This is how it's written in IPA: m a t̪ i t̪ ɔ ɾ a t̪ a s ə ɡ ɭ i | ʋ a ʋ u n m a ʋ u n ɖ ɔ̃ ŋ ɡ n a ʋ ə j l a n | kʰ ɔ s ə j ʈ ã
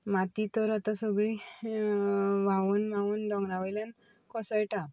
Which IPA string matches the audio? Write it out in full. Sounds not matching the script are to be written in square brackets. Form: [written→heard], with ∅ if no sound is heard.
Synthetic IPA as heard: m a t̪ i t̪ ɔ ɾ a t̪ a s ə ɡ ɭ i | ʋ a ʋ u n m a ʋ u n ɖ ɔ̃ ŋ ɡ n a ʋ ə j l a n | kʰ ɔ s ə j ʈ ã